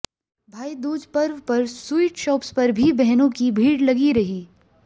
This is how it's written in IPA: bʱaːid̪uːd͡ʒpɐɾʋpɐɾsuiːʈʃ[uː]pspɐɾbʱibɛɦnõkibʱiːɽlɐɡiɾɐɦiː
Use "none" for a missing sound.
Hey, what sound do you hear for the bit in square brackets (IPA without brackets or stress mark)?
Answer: ɔː